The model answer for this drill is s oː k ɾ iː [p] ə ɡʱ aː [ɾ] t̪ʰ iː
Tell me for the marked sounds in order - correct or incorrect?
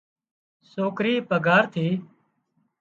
correct, correct

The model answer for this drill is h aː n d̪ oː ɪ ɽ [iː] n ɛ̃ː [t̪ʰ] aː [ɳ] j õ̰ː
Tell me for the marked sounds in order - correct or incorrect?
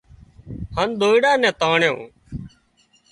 incorrect, incorrect, correct

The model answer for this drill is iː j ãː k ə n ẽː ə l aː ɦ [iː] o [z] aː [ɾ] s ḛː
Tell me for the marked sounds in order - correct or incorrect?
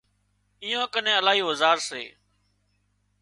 correct, correct, correct

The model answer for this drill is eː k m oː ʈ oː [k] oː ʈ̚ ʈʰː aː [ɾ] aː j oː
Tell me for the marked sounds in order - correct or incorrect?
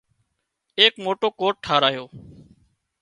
correct, correct

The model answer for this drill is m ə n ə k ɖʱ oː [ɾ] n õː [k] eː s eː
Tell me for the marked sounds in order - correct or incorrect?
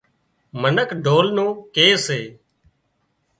incorrect, correct

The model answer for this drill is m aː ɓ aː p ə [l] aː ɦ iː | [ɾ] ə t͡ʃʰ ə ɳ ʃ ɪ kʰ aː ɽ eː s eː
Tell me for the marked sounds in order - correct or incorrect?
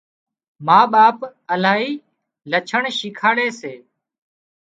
correct, incorrect

